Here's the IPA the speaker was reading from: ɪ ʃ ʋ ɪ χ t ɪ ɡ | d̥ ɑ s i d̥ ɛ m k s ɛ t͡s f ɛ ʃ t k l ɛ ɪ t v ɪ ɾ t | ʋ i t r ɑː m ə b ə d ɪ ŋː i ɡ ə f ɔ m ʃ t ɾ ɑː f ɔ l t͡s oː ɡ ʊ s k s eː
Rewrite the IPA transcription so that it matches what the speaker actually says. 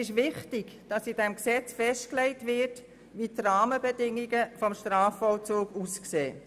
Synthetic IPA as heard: ɪ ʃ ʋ ɪ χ t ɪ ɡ | d̥ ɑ s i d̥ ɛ m k s ɛ t͡s f ɛ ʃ t k l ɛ ɪ t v ɪ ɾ t | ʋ i t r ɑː m ə b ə d ɪ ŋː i ɡ ə f ɔ m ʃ t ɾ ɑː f ɔ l t͡s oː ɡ u s k s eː